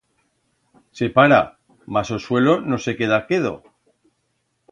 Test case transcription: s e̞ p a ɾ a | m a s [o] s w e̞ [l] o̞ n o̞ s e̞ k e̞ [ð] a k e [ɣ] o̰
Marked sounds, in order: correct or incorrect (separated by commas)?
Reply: correct, correct, correct, incorrect